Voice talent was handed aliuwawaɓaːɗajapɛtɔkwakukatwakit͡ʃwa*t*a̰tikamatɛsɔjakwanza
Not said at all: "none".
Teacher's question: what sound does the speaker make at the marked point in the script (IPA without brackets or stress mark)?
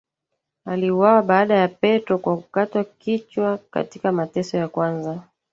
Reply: k